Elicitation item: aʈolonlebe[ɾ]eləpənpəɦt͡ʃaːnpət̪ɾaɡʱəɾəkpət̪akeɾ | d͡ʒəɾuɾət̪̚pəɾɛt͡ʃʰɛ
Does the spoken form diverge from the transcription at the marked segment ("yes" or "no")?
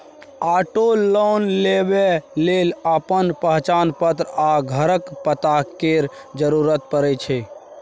yes